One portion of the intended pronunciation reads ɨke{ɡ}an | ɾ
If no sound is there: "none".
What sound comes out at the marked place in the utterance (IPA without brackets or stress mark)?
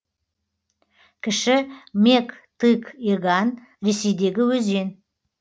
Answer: ɡ